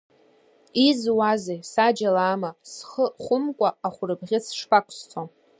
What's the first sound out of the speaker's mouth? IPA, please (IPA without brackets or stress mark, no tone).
i